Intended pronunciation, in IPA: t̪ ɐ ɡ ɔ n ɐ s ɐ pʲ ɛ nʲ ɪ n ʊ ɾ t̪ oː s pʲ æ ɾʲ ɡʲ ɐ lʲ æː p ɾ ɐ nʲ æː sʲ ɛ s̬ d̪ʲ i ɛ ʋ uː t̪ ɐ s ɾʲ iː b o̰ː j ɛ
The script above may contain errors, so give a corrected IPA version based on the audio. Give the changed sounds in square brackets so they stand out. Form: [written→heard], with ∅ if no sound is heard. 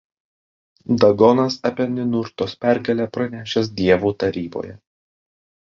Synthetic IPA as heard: [t̪→d̪] ɐ ɡ ɔ n ɐ s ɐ pʲ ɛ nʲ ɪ n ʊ ɾ t̪ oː s pʲ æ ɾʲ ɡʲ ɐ lʲ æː p ɾ ɐ nʲ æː [sʲ→ʃʲ] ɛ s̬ d̪ʲ i ɛ ʋ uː t̪ ɐ [s→∅] ɾʲ iː b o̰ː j ɛ